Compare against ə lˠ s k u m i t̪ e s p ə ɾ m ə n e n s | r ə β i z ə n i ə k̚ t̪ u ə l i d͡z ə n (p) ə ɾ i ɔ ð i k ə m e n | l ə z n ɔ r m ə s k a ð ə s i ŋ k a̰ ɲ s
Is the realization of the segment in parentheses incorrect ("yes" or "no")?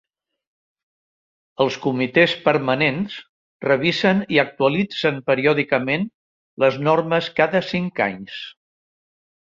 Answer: no